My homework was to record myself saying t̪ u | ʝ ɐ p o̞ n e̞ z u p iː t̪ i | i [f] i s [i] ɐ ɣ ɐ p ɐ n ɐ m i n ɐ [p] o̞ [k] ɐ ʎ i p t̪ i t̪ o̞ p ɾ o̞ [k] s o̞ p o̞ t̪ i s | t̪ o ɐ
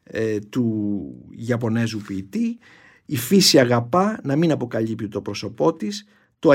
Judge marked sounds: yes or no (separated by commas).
yes, yes, yes, yes, no